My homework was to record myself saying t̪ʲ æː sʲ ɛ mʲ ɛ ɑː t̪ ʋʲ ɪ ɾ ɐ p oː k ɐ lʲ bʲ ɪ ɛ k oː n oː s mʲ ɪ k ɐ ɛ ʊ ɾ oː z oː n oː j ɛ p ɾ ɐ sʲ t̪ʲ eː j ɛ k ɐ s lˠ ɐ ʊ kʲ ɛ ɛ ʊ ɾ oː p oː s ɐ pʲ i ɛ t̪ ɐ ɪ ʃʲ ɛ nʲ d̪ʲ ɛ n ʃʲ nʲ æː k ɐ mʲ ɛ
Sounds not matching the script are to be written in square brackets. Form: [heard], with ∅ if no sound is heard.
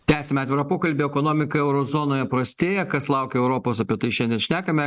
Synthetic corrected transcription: t̪ʲ æː sʲ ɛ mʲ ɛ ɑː t̪ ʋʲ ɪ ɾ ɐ p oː k ɐ lʲ bʲ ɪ ɛ k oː n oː [∅] mʲ ɪ k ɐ ɛ ʊ ɾ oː z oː n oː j ɛ p ɾ ɐ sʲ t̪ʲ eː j ɛ k ɐ s lˠ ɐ ʊ kʲ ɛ ɛ ʊ ɾ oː p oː s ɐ pʲ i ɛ t̪ ɐ ɪ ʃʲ ɛ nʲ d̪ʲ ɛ n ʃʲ nʲ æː k ɐ mʲ ɛ